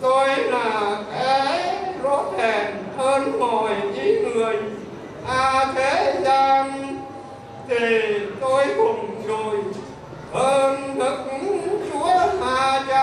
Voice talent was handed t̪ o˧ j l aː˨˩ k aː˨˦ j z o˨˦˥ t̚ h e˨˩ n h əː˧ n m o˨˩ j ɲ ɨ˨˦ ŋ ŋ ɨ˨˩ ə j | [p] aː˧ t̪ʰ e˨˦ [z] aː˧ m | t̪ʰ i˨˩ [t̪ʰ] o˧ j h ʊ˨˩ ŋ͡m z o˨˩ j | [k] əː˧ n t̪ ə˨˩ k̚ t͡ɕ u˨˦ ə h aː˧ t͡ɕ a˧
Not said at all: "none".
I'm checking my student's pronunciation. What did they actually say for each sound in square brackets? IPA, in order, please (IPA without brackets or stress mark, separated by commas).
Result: ʔ, z, t̪, ʔ